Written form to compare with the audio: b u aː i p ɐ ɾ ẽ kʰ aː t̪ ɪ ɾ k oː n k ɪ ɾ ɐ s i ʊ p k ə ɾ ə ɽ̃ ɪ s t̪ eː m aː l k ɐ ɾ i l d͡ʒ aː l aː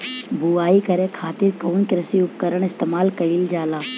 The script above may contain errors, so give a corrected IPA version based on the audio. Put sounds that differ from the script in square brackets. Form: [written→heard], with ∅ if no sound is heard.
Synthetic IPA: b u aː i [p→k] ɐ ɾ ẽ kʰ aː t̪ ɪ ɾ k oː n k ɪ ɾ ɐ s i ʊ p k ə ɾ ə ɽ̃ ɪ s t̪ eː m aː l k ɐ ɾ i l d͡ʒ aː l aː

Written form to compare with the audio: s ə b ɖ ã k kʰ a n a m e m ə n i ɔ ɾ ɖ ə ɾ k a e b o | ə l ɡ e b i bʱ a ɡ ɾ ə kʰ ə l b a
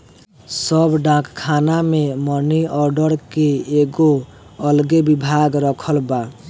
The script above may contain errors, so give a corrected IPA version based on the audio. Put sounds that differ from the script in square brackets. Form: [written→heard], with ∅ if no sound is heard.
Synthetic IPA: s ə b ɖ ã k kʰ a n a m e m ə n i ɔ ɾ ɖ ə ɾ k [a→e] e [b→ɡ] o | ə l ɡ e b i bʱ a ɡ ɾ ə kʰ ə l b a

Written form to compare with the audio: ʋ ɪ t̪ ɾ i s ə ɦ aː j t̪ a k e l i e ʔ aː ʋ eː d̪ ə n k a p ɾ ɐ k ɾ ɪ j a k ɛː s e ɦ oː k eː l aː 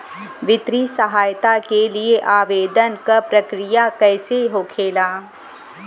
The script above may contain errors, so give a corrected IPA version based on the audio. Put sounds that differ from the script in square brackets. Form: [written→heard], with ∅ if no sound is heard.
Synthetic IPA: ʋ ɪ t̪ ɾ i s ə ɦ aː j t̪ a k e l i e ʔ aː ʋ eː d̪ ə n k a p ɾ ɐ k ɾ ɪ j a k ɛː s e ɦ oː [k→kʰ] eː l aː

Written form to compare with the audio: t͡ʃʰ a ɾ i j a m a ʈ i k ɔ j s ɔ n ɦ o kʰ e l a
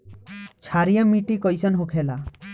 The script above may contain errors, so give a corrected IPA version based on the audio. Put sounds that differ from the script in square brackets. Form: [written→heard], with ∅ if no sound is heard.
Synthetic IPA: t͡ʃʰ a ɾ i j a m [a→i] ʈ i k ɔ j s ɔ n ɦ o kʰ e l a

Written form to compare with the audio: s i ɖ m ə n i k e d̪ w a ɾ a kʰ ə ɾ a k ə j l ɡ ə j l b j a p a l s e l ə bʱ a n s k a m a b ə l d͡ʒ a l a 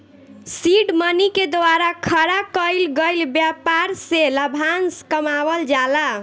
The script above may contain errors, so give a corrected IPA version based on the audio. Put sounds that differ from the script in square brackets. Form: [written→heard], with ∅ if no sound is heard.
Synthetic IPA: s i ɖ m ə n i k e d̪ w a ɾ a kʰ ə ɾ a k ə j l ɡ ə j l b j a p a [l→ɾ] s e l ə bʱ a n s k [a→ə] m a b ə l d͡ʒ a l a

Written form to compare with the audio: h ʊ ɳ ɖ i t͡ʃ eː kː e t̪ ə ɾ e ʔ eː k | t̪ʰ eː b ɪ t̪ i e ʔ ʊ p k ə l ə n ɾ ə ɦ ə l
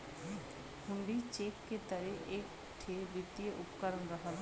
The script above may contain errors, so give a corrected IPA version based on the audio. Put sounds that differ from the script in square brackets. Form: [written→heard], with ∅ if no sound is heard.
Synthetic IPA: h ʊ ɳ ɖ i t͡ʃ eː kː e t̪ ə ɾ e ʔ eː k | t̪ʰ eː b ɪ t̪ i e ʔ ʊ p k ə [l→ɾ] ə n ɾ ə ɦ ə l

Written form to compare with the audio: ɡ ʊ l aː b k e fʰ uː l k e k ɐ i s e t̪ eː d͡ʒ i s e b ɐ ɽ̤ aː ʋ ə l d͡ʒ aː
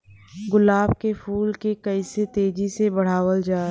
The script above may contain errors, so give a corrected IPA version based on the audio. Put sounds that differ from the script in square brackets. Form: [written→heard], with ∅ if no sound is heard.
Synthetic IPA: ɡ ʊ l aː b k e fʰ uː l k e k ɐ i s e t̪ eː d͡ʒ i s e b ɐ ɽ̤ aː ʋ ə l d͡ʒ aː

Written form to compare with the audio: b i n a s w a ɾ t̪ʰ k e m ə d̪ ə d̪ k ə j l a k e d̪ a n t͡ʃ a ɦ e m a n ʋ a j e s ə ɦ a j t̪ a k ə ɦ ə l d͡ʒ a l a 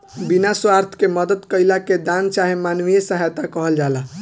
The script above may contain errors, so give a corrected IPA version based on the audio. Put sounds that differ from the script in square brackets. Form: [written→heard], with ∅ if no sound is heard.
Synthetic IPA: b i n a s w a ɾ t̪ʰ k e m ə d̪ ə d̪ k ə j l a k e d̪ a n t͡ʃ a ɦ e m a n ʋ [a→i] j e s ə ɦ a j t̪ a k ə ɦ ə l d͡ʒ a l a

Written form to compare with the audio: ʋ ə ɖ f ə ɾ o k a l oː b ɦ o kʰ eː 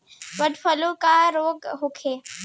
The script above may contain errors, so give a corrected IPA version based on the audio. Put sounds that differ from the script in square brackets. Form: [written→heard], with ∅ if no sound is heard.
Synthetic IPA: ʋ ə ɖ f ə [ɾ→l] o k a [l→ɾ] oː [b→ɡ] ɦ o kʰ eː

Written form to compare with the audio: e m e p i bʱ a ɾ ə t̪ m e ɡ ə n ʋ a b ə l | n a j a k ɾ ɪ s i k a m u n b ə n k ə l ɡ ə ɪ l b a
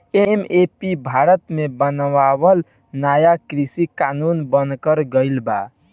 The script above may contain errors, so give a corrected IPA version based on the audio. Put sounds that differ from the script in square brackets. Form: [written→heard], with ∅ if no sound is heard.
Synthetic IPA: e m e p i bʱ a ɾ ə t̪ m e [ɡ→b] ə n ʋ a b ə l | n a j a k ɾ [ɪ→i] s i k a [m→n] u n b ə n k ə [l→ɾ] ɡ ə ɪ l b a

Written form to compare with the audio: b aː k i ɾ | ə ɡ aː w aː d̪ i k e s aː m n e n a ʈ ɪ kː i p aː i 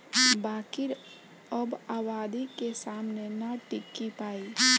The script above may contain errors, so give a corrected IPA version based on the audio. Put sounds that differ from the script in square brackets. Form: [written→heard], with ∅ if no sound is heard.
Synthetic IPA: b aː k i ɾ | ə [ɡ→b] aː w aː d̪ i k e s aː m n e n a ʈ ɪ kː i p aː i

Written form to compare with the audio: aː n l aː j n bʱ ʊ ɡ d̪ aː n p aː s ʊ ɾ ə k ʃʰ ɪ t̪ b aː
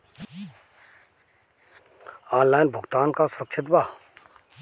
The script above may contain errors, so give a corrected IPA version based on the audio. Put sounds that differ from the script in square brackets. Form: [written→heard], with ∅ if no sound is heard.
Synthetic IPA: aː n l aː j n bʱ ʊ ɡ [d̪→t̪] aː n [p→k] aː s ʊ ɾ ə k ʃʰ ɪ t̪ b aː

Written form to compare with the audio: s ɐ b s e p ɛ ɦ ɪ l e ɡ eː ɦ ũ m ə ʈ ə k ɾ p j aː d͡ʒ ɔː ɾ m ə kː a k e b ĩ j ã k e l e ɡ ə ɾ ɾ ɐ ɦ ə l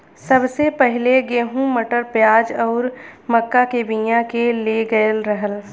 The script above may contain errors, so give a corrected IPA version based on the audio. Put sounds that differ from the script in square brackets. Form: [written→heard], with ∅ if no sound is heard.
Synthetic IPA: s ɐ b s e p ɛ ɦ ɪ l e ɡ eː ɦ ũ m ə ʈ ə [k→∅] ɾ p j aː d͡ʒ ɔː ɾ m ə kː a k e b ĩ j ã k e l e ɡ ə [ɾ→l] ɾ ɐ ɦ ə l

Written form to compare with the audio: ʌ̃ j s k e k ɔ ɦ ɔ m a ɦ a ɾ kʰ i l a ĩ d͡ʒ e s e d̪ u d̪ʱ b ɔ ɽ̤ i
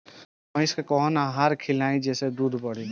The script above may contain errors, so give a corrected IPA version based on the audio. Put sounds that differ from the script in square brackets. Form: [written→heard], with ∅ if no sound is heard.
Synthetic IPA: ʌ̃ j s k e k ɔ ɦ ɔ [m→n] a ɦ a ɾ kʰ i l a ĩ d͡ʒ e s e d̪ u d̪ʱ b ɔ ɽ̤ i

